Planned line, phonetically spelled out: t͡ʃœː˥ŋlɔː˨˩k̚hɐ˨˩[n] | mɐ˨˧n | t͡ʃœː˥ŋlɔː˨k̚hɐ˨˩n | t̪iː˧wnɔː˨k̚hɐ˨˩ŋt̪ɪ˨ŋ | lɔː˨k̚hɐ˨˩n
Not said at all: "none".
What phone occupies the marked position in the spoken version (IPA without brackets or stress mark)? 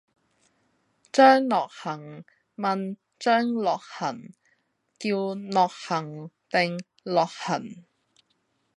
ŋ